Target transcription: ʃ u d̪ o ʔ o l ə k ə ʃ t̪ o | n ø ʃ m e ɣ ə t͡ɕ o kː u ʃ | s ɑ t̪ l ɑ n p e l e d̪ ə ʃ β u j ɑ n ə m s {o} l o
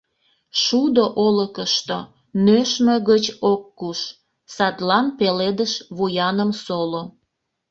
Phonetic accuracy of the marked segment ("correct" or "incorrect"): correct